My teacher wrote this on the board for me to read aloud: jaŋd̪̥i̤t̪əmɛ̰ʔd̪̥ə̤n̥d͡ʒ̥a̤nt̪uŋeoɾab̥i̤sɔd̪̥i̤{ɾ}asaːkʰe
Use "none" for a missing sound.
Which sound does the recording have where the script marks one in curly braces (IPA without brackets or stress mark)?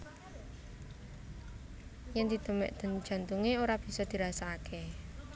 ɾ